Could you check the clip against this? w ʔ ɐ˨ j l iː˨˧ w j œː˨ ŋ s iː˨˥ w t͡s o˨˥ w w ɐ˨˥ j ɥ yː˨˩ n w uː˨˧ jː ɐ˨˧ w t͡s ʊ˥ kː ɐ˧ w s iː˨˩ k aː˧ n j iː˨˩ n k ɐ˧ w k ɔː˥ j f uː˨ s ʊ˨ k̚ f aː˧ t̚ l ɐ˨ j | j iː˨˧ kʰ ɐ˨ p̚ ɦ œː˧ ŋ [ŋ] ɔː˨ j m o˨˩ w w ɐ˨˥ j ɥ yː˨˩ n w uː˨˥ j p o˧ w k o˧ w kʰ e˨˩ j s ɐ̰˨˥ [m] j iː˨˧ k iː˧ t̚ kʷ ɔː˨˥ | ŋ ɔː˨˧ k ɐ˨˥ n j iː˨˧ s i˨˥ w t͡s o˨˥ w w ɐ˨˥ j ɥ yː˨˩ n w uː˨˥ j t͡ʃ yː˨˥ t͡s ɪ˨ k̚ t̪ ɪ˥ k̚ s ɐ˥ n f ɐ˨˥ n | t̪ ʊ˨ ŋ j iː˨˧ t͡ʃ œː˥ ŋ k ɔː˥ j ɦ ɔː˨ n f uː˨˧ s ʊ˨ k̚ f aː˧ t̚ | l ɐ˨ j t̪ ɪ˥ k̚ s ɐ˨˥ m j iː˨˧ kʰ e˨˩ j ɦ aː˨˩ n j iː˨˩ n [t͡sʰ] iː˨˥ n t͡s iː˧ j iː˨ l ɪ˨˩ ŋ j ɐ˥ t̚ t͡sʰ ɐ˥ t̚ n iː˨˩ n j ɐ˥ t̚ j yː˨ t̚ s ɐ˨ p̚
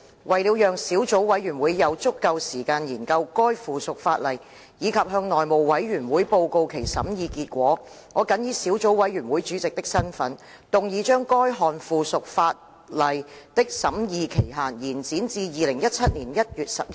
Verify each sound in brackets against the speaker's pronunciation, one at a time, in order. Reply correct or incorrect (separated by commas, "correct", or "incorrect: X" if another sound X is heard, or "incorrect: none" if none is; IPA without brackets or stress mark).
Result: incorrect: n, correct, incorrect: t͡s